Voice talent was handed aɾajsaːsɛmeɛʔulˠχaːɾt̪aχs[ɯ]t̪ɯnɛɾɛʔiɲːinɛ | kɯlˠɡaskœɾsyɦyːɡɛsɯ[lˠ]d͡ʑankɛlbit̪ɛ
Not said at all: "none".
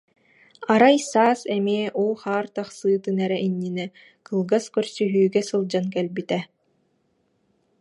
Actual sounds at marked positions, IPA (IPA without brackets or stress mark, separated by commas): ɯː, lˠ